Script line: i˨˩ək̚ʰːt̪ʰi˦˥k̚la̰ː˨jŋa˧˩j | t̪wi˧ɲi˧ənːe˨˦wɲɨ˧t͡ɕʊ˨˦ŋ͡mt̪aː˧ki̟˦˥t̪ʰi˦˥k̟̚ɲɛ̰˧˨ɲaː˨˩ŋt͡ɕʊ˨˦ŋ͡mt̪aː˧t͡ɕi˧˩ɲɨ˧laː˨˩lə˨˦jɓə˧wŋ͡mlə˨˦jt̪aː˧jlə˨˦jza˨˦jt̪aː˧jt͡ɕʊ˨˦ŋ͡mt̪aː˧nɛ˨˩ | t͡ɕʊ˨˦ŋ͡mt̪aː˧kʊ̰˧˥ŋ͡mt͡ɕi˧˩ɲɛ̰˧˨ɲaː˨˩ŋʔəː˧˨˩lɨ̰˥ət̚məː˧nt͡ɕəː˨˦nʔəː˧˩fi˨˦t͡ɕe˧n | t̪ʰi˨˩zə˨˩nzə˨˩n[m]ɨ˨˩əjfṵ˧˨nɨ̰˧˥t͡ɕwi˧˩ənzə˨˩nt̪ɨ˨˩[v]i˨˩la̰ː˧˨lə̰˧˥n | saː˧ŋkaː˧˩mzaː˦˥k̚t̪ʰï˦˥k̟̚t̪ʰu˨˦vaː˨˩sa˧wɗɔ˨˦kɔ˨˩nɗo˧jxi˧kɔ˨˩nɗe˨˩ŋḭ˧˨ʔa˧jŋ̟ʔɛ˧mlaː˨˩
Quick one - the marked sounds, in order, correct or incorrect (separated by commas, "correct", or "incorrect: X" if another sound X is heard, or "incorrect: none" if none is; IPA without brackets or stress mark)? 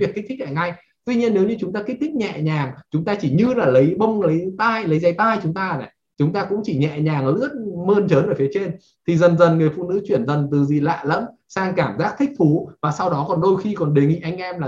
incorrect: ŋ, incorrect: z